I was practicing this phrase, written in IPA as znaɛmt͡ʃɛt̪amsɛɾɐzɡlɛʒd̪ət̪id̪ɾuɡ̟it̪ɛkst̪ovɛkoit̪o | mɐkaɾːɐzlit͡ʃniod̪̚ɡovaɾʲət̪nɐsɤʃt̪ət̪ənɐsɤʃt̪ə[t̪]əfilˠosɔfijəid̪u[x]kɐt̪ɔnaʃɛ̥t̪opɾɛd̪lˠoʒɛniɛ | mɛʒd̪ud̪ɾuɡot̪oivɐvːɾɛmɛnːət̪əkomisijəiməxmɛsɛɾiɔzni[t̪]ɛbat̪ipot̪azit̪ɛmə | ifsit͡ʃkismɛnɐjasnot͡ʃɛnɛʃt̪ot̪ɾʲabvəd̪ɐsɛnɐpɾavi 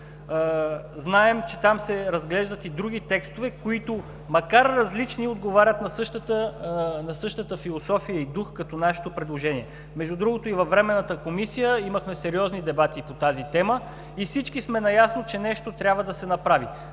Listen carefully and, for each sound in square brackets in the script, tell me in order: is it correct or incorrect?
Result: correct, correct, incorrect: d̪

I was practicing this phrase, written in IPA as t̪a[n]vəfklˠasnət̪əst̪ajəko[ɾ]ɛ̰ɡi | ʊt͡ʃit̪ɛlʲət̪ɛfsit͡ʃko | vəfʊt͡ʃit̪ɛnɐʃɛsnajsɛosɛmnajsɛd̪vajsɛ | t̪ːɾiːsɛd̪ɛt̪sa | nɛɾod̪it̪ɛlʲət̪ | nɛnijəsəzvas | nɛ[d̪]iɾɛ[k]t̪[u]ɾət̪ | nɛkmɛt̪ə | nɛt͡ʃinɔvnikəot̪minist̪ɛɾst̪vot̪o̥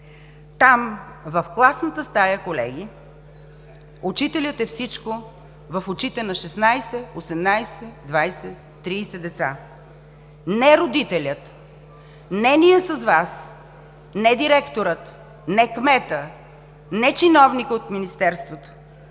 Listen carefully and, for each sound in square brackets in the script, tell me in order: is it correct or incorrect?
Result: incorrect: m, incorrect: l, correct, correct, incorrect: o

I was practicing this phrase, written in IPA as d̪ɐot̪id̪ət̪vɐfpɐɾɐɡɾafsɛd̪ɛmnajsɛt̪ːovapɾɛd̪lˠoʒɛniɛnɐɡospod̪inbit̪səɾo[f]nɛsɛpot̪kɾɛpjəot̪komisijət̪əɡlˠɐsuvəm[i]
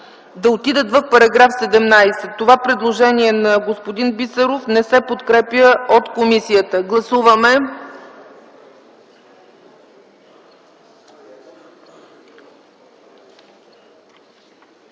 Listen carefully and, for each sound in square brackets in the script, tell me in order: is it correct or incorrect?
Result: correct, incorrect: ɛ

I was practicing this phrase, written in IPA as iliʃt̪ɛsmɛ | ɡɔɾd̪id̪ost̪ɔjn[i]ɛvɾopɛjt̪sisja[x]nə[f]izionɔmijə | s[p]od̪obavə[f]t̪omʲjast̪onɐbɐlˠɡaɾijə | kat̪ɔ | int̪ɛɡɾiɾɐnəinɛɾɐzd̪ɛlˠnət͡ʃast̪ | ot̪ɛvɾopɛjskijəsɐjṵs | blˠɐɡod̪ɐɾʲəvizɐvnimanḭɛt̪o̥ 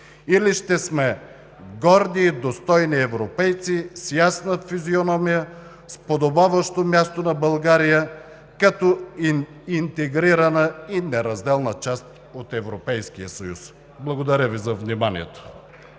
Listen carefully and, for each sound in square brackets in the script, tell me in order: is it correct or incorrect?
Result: correct, incorrect: s, correct, correct, incorrect: ʃ

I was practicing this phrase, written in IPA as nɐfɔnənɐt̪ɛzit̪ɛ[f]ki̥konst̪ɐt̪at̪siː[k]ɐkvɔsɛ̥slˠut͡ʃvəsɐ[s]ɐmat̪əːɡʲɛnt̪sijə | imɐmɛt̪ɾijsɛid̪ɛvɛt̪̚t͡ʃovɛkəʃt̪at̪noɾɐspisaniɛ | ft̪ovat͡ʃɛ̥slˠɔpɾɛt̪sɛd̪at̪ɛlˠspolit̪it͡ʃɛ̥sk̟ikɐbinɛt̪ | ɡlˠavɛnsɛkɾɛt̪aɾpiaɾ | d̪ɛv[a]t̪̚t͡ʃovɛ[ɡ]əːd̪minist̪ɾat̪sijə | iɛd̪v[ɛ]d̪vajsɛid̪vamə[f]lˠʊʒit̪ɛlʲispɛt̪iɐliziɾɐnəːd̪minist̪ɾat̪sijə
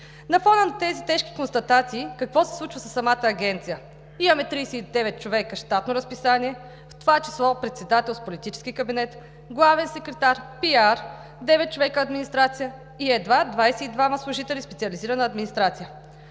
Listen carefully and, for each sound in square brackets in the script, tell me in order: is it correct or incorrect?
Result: incorrect: ʃ, correct, incorrect: sː, incorrect: ɛ, incorrect: k, incorrect: a, incorrect: s

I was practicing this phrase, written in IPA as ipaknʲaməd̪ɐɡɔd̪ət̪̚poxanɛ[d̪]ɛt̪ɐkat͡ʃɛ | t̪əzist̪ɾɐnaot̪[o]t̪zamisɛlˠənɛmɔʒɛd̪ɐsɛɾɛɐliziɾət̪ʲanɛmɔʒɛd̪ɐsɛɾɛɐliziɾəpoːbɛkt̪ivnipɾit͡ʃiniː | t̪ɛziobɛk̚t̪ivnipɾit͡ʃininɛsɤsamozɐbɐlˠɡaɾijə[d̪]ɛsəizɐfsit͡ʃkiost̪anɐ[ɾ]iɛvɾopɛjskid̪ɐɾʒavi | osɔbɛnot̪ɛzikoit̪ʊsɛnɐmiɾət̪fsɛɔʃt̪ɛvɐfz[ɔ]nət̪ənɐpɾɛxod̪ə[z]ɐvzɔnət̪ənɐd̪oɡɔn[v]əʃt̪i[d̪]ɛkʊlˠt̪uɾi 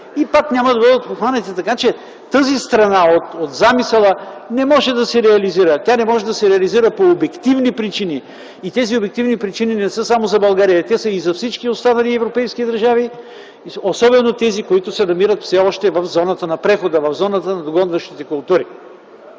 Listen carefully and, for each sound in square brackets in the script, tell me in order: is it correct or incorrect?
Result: incorrect: t̪, correct, incorrect: t̪, incorrect: l, correct, incorrect: v, correct, incorrect: t̪

